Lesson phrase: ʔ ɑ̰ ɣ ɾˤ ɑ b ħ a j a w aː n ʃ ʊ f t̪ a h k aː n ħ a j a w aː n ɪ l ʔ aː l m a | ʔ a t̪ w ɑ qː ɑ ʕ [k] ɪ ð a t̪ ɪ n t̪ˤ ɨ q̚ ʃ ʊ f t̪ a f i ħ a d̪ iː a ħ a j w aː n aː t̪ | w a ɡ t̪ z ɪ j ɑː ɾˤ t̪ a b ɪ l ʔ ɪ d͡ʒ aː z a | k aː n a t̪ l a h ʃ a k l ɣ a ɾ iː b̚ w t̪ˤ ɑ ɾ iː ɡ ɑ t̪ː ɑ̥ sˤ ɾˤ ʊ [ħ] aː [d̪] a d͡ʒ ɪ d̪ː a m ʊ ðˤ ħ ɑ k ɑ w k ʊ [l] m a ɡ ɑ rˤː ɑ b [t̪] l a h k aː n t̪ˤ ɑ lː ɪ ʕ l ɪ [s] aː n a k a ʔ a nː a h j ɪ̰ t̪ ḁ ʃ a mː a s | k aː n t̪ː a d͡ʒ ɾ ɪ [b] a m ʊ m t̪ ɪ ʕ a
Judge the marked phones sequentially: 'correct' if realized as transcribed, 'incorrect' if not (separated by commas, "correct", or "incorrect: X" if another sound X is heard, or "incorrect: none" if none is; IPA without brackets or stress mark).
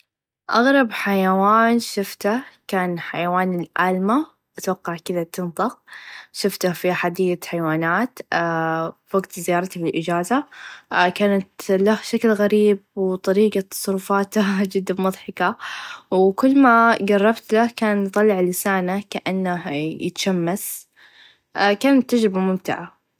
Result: correct, incorrect: f, incorrect: t̪, incorrect: lː, correct, correct, correct